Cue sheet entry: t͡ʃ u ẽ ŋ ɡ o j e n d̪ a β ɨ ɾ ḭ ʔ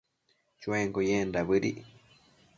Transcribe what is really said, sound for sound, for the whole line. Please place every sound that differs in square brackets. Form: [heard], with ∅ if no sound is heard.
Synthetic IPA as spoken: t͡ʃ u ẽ ŋ ɡ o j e n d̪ a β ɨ ɾ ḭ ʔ